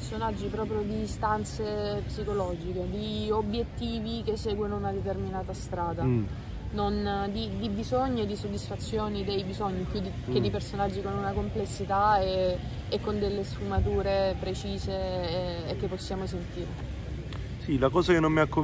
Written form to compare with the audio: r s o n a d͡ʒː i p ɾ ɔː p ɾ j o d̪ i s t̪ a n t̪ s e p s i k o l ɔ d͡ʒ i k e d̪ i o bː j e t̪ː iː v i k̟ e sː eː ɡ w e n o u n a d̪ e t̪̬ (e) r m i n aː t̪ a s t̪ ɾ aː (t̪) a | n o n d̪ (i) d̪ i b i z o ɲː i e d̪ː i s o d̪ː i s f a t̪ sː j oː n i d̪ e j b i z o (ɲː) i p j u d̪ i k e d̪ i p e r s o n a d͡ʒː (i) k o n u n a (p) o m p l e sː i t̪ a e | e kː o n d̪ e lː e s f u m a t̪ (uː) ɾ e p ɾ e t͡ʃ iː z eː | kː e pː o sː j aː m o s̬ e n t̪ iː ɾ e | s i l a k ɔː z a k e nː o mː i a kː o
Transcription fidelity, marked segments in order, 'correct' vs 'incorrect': correct, incorrect: d̪, correct, correct, correct, incorrect: k, correct

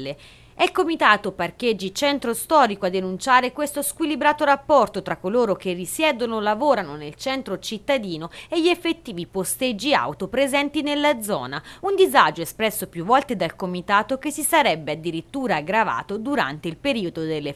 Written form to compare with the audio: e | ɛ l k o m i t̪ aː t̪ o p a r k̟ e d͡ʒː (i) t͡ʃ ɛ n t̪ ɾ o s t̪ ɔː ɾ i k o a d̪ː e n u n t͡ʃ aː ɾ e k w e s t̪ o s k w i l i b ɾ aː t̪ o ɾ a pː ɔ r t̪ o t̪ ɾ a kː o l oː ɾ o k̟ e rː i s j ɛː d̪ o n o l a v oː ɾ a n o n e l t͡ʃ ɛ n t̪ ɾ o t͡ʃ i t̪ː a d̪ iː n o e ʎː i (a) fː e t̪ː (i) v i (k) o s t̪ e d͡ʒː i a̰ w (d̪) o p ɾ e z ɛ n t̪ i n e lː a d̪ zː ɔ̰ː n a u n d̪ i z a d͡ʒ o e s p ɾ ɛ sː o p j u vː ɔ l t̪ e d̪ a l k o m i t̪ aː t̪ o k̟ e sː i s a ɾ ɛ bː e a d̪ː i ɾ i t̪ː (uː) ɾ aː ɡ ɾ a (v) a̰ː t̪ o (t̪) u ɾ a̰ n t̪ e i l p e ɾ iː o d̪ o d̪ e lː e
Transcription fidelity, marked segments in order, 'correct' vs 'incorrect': correct, incorrect: e, incorrect: iː, incorrect: p, incorrect: t̪, correct, correct, incorrect: d̪

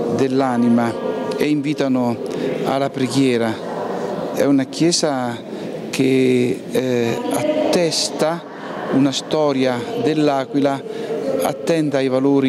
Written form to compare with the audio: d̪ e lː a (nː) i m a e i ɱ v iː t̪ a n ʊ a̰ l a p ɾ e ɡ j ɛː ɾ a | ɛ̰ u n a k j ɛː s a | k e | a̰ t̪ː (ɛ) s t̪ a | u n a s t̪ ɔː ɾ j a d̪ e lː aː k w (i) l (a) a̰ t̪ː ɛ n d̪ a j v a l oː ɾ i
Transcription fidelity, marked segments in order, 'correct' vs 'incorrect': incorrect: n, correct, correct, correct

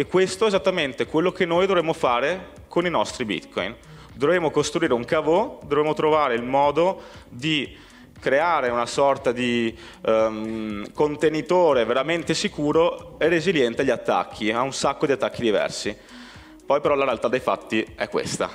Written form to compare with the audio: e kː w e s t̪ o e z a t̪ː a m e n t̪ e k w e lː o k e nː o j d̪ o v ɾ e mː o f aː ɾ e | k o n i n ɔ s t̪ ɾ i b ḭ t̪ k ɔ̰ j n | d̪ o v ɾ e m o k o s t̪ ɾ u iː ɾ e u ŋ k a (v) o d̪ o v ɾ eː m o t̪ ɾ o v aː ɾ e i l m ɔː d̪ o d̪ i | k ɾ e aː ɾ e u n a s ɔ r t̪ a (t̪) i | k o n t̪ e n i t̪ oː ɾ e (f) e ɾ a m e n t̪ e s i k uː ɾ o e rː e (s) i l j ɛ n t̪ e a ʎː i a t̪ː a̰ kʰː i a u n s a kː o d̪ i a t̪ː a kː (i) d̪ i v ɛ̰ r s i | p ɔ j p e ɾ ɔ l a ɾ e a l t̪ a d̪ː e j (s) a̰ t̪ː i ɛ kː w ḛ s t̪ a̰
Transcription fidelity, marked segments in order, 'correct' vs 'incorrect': correct, incorrect: d̪, incorrect: v, incorrect: z, correct, incorrect: f

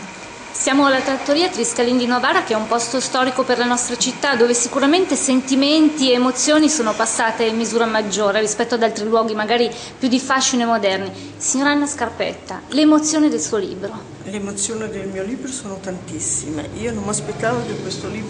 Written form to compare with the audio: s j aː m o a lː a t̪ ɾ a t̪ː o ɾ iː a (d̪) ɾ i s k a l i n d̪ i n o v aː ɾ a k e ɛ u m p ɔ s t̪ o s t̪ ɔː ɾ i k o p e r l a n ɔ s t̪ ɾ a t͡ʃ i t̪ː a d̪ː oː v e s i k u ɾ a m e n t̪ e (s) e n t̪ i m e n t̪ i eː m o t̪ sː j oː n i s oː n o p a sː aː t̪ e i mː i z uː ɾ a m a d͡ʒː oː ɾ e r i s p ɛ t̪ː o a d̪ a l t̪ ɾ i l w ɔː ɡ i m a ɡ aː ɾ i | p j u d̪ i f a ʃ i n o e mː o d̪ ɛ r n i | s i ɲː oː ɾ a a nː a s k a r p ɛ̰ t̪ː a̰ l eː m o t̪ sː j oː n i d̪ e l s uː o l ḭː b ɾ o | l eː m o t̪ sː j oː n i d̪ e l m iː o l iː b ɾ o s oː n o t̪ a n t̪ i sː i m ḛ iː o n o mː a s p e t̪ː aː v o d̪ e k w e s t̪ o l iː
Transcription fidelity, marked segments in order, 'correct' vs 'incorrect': incorrect: t̪, correct

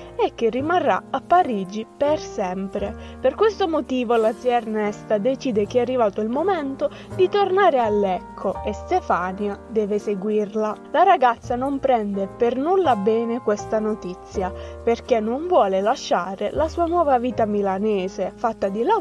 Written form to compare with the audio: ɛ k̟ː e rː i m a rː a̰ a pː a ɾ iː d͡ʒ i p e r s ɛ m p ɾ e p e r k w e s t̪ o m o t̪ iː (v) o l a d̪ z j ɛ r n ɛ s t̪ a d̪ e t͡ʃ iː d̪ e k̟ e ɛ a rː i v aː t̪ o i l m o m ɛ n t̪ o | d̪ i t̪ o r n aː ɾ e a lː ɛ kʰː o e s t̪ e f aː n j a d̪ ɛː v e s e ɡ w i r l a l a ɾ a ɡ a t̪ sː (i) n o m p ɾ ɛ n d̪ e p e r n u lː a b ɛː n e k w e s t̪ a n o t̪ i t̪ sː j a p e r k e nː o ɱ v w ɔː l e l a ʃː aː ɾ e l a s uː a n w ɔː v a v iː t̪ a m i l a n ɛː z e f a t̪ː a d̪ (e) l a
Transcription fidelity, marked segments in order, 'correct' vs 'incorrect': correct, incorrect: a, incorrect: i

